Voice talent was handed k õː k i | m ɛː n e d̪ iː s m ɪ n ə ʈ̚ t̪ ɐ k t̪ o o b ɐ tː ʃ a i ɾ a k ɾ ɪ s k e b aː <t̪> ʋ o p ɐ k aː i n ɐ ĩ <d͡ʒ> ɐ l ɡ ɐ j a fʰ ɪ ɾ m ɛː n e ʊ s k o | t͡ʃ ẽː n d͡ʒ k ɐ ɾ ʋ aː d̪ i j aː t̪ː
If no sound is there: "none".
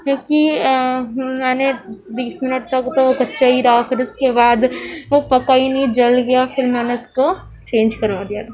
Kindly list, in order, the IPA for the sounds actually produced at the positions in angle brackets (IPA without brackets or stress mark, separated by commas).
d̪, d͡ʒ